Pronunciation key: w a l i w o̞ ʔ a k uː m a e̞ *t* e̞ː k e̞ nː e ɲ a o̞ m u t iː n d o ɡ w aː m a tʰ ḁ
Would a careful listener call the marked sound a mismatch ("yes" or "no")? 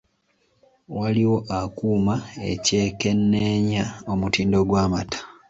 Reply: yes